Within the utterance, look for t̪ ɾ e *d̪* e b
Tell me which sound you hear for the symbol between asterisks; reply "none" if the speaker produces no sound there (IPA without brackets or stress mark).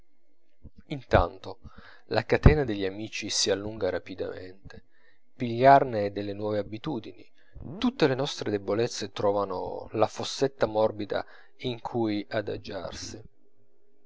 d̪